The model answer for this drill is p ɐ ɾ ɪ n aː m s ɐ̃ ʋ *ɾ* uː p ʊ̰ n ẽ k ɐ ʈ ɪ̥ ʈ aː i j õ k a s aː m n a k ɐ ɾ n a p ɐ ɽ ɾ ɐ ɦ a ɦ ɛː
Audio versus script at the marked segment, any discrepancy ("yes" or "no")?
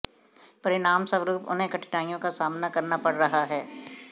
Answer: no